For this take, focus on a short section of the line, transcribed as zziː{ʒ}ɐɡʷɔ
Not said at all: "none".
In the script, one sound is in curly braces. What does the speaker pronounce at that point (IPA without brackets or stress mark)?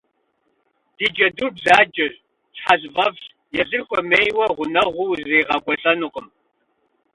ʁ